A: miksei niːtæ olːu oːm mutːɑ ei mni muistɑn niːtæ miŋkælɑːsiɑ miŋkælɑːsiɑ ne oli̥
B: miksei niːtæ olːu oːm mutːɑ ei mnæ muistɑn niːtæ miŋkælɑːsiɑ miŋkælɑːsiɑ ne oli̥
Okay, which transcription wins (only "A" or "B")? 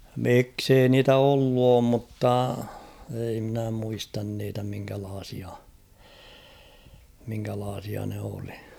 B